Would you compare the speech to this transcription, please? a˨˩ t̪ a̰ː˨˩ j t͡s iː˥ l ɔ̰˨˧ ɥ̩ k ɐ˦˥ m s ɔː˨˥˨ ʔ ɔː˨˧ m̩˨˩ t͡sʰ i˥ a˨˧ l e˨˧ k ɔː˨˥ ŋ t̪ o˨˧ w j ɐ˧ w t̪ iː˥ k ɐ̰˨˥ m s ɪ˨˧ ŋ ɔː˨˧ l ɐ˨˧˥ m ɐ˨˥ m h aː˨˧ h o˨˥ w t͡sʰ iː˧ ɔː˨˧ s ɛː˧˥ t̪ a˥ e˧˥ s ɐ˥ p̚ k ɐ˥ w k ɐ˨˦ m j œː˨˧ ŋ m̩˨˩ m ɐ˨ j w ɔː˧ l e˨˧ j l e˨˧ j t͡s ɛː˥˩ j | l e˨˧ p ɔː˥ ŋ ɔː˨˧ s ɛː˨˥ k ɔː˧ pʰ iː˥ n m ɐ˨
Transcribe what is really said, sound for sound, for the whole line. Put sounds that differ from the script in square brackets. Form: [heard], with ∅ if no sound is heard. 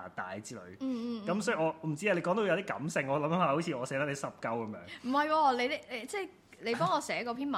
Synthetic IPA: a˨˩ t̪ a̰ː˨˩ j t͡s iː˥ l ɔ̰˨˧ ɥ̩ k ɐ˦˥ m s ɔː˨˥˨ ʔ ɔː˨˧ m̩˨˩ [t͡s] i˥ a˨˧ l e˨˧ k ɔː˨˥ ŋ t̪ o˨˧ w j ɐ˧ w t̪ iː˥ k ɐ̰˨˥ m s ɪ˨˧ ŋ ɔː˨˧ l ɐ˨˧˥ m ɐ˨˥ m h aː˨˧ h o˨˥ w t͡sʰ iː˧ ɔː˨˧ s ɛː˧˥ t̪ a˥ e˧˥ s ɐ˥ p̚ k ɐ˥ w k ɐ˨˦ m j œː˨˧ ŋ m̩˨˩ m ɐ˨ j w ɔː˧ l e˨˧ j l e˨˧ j t͡s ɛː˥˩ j | l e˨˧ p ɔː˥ ŋ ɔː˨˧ s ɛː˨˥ k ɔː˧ pʰ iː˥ n m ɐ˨